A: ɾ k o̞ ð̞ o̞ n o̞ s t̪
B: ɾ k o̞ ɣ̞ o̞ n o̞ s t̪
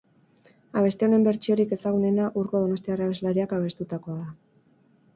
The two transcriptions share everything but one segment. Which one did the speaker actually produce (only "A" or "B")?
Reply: A